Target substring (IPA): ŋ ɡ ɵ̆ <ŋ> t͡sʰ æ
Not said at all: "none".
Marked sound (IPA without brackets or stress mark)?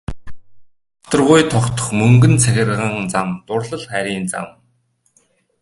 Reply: n